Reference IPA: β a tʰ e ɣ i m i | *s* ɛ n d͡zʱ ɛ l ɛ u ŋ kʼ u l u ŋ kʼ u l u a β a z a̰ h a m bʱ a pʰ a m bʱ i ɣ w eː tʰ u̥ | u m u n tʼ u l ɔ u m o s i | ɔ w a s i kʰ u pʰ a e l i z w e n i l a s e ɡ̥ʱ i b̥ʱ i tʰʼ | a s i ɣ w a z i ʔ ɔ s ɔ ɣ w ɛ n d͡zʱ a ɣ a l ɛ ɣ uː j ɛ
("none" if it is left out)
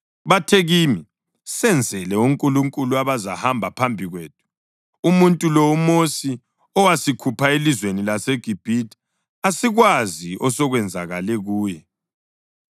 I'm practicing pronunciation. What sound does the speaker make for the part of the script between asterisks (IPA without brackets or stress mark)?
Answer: s